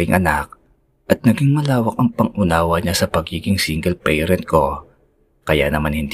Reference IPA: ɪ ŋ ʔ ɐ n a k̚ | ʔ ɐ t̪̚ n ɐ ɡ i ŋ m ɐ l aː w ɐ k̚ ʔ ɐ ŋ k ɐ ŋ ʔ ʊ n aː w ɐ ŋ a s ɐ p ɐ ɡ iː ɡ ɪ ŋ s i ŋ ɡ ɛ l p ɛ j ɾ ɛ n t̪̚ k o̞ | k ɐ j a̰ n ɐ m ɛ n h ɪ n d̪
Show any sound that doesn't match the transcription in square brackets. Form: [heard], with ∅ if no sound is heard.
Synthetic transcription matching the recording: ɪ ŋ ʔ ɐ n a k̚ | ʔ ɐ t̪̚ n ɐ ɡ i ŋ m ɐ l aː w ɐ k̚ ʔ ɐ ŋ [p] ɐ ŋ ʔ ʊ n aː w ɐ [ɲ] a s ɐ p ɐ ɡ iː ɡ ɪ ŋ s i ŋ ɡ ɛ l p ɛ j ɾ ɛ n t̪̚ k o̞ | k ɐ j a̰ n ɐ m [a] n h ɪ n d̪